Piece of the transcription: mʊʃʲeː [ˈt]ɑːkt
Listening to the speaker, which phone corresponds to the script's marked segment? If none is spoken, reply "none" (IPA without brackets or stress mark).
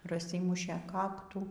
k